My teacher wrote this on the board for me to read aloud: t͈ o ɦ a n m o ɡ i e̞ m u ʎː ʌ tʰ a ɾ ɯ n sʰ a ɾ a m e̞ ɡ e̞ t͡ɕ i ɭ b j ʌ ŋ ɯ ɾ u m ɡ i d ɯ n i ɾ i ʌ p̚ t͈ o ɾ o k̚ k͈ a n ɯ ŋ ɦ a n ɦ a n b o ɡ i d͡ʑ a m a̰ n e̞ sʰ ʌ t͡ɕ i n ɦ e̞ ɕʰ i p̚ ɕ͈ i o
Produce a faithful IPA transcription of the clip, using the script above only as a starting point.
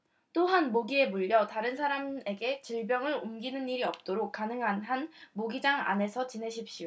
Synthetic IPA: t͈ o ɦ a n m o ɡ i e̞ m u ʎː ʌ t a ɾ ɯ n sʰ a ɾ a m e̞ ɡ e̞ t͡ɕ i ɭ b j ʌ ŋ ɯ ɾ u m ɡ i n ɯ n i ɾ i ʌ p̚ t͈ o ɾ o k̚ k͈ a n ɯ ŋ ɦ a n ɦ a n m o ɡ i d͡ʑ a ŋ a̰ n e̞ sʰ ʌ t͡ɕ i n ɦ e̞ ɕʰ i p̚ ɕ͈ i o

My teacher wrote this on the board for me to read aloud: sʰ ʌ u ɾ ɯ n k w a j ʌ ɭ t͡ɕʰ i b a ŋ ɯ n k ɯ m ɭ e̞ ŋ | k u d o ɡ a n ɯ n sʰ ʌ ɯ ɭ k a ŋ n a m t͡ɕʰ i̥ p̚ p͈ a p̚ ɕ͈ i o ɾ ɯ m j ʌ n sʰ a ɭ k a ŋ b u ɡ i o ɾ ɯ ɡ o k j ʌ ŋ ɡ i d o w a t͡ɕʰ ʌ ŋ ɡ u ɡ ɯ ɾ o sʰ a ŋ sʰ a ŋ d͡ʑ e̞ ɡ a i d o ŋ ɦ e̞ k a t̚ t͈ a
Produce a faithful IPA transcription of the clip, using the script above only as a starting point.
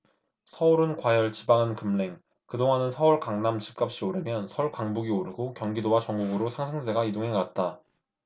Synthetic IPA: sʰ ʌ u ɾ ɯ n k w a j ʌ ɭ t͡ɕ i b a ŋ ɯ n k ɯ m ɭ e̞ ŋ | k ɯ d o ŋ a n ɯ n sʰ ʌ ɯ ɭ k a ŋ n a m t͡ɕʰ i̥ p̚ k͈ a p̚ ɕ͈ i o ɾ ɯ m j ʌ n sʰ ʌ ɭ k a ŋ b u ɡ i o ɾ ɯ ɡ o k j ʌ ŋ ɡ i d o w a t͡ɕ ʌ ŋ ɡ u ɡ ɯ ɾ o sʰ a ŋ sʰ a ŋ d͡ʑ e̞ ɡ a i d o ŋ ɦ e̞ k a t̚ t͈ a

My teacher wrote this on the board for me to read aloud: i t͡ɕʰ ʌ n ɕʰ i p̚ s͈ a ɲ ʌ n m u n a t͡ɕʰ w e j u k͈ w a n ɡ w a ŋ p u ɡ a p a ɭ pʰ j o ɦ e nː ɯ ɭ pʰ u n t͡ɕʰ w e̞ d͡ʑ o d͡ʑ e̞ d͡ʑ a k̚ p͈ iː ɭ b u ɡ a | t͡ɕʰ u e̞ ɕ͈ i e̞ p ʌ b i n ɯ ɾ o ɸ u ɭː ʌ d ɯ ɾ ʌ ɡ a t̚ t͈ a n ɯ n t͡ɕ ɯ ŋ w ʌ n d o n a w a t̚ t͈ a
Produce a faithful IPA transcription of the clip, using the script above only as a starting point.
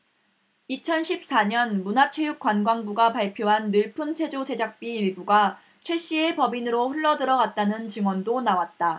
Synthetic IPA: i t͡ɕʰ ʌ n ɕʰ i p̚ s͈ a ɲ ʌ n m u n a t͡ɕʰ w e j u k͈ w a n ɡ w a ŋ b u ɡ a p a ɭ pʰ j o ɦ a nː ɯ ɭ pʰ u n t͡ɕʰ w e̞ d͡ʑ o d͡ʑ e̞ d͡ʑ a k̚ p͈ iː ɭ b u ɡ a | t͡ɕʰ w e̞ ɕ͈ i e̞ p ʌ b i n ɯ ɾ o ɸ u ɭː ʌ d ɯ ɾ ʌ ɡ a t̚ t͈ a n ɯ n t͡ɕ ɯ ŋ w ʌ n d o n a w a t̚ t͈ a

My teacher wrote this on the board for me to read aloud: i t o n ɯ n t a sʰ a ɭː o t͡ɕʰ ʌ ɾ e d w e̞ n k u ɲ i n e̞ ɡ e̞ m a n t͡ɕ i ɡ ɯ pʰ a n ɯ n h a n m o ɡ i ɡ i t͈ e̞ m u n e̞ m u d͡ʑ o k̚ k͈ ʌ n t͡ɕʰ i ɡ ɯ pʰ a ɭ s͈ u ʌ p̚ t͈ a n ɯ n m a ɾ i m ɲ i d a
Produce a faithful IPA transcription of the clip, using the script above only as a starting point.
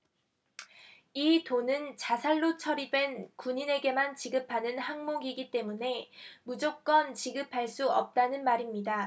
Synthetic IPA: i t o n ɯ n t͡ɕ a sʰ a ɭː o t͡ɕʰ ʌ ɾ i d w e̞ n k u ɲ i n e̞ ɡ e̞ m a n t͡ɕ i ɡ ɯ pʰ a n ɯ n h a ŋ m o ɡ i ɡ i t͈ e̞ m u n e̞ m u d͡ʑ o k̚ k͈ ʌ n t͡ɕ i ɡ ɯ pʰ a ɭ s͈ u ʌ p̚ t͈ a n ɯ n m a ɾ i m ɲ i d a

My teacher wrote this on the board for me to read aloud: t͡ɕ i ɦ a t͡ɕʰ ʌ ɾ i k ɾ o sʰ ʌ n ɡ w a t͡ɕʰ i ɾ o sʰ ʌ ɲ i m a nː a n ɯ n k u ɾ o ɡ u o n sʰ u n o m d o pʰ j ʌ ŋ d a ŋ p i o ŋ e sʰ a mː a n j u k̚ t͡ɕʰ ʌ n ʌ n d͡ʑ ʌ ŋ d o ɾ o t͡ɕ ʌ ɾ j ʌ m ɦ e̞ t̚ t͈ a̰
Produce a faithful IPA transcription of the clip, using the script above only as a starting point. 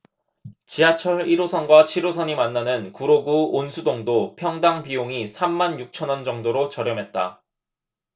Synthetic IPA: t͡ɕ i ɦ a t͡ɕʰ ʌ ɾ i ɾ o sʰ ʌ n ɡ w a t͡ɕʰ i ɾ o sʰ ʌ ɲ i m a nː a n ɯ n k u ɾ o ɡ u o n sʰ u d o ŋ d o pʰ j ʌ ŋ d a ŋ p i o ŋ i sʰ a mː a n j u k̚ t͡ɕʰ ʌ n ʌ n d͡ʑ ʌ ŋ d o ɾ o t͡ɕ ʌ ɾ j ʌ m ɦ e̞ t̚ t͈ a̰

